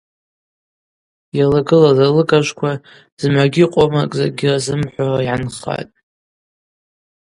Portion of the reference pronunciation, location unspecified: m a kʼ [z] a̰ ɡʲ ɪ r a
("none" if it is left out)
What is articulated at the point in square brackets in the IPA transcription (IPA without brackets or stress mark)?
z